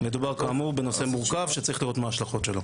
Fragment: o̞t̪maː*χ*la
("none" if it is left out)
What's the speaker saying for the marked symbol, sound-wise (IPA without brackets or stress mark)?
ʃ